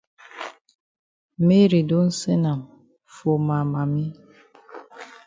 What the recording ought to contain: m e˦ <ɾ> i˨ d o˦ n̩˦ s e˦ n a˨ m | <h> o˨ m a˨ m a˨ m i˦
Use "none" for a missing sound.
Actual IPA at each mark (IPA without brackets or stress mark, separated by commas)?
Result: ɾ, f